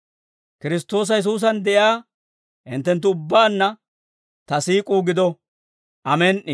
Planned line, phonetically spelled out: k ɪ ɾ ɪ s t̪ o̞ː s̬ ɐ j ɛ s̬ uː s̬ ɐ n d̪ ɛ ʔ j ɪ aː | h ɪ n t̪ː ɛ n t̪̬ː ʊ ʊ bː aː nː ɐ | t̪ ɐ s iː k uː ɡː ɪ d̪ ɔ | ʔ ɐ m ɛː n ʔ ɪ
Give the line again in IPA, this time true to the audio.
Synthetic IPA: k ɪ ɾ ɪ s t̪ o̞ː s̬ ɐ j ɛ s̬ uː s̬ ɐ n d̪ ɛ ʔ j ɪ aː | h ɪ n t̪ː ɛ n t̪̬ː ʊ ʊ bː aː nː ɐ | t̪ ɐ s iː kʼ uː ɡ ɪ d̪ ɔ | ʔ ɐ m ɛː n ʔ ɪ